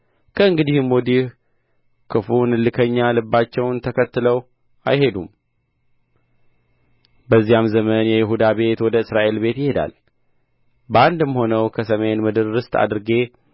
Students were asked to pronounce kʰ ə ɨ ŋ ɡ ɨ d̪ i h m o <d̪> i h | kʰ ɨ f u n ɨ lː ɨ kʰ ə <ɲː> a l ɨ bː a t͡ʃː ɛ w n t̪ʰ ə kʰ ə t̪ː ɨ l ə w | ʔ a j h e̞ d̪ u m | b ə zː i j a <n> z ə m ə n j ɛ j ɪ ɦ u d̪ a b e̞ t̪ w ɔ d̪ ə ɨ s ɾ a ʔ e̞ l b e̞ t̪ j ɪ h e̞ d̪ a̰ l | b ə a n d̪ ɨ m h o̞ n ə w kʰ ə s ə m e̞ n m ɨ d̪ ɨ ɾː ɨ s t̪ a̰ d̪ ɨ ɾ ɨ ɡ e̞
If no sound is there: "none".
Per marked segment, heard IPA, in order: d̪, ɲː, m

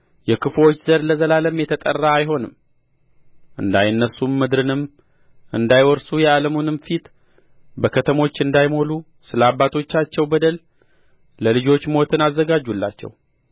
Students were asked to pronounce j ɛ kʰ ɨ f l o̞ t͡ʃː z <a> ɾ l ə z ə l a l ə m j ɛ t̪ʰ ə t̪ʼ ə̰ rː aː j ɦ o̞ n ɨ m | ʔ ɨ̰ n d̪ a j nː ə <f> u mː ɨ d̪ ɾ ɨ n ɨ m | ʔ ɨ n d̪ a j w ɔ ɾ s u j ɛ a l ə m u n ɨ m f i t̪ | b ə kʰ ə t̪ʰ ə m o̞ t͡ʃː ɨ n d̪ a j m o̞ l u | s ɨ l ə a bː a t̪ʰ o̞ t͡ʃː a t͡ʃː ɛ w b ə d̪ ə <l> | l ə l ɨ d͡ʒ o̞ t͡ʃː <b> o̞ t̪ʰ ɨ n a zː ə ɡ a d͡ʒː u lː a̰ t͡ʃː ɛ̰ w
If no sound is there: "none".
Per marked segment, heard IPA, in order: ə, s, l, m

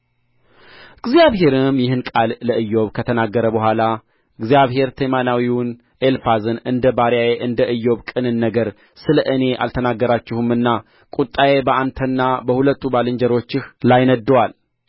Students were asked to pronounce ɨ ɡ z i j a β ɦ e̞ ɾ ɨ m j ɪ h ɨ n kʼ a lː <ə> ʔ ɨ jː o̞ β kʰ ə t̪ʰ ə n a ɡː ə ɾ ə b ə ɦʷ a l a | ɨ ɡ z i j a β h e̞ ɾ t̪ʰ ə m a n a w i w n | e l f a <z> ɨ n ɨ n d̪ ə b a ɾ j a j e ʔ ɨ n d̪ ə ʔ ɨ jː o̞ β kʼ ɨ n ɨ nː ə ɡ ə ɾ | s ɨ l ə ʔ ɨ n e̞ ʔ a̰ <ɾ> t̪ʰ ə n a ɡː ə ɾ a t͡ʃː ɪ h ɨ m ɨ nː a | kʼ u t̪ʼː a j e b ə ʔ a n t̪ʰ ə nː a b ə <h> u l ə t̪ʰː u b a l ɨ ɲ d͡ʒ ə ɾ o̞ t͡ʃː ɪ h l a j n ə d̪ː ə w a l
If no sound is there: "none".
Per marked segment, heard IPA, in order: ə, z, l, h

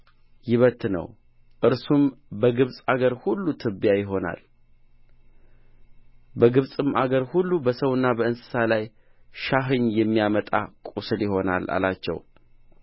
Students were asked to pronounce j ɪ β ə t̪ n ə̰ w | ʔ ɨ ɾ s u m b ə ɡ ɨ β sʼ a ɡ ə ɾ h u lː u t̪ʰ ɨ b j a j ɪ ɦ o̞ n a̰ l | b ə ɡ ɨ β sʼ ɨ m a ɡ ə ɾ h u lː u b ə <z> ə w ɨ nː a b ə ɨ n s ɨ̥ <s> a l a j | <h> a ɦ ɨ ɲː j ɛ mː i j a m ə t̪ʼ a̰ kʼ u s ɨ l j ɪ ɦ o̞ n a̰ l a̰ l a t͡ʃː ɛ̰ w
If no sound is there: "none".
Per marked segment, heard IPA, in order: s, s, ʃ

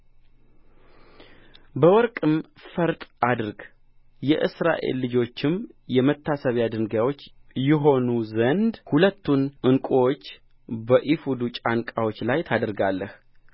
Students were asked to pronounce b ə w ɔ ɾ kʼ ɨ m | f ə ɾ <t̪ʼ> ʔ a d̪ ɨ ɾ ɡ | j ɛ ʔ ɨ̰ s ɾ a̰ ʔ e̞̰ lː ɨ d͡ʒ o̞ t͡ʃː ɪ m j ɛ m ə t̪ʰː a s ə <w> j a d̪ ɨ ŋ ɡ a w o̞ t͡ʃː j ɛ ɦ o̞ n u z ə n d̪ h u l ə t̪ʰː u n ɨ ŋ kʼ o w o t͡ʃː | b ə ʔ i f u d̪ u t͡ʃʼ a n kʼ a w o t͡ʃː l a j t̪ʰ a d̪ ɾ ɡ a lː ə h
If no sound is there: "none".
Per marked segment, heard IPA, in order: t̪ʼ, β

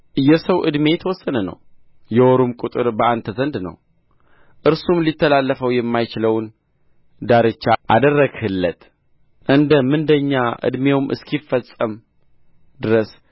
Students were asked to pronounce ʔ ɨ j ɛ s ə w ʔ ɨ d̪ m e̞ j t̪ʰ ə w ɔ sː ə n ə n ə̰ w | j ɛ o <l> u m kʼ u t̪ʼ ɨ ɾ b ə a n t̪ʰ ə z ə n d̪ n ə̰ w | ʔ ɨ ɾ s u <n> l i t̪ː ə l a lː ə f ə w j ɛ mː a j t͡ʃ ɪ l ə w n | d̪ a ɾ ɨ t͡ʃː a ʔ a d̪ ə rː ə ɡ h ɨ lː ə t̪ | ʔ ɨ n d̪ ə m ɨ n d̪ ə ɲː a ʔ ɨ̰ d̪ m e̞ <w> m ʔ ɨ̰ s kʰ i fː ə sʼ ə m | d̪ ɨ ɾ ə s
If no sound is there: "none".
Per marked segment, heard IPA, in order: ɾ, m, w

